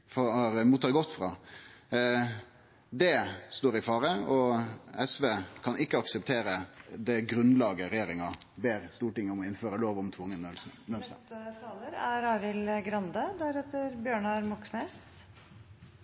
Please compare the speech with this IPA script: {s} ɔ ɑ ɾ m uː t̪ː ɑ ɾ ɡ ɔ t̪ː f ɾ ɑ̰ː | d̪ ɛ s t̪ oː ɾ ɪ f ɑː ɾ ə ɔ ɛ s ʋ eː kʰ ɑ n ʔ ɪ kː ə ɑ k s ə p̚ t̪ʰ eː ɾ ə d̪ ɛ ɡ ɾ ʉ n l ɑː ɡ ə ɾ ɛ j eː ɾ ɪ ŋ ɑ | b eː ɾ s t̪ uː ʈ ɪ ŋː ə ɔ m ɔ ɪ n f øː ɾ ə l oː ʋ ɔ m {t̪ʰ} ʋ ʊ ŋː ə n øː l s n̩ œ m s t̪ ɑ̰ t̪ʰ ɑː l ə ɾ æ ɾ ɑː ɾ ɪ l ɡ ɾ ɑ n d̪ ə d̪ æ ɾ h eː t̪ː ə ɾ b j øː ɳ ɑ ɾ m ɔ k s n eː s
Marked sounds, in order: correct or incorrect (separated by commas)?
incorrect, correct